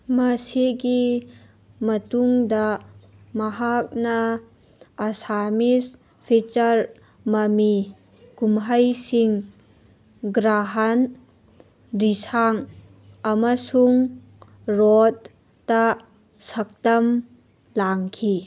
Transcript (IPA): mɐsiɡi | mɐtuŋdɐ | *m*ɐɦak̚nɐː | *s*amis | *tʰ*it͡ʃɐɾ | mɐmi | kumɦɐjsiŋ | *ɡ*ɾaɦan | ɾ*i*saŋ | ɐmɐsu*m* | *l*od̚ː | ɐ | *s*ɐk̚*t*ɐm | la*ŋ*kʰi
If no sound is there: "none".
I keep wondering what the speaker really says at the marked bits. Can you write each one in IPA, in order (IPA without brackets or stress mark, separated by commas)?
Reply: m, s, pʰ, ɡ, i, ŋ, ɾ, s, t, ŋ